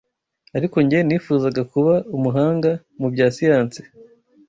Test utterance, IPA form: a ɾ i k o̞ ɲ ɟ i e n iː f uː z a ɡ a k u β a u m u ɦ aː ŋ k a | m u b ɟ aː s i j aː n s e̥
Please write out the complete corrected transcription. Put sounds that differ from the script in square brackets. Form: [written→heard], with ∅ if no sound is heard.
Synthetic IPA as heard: a ɾ i k o̞ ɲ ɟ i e n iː f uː z a ɡ a k u β a u m u ɦ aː ŋ [k→ɡ] a | m u b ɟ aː s i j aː n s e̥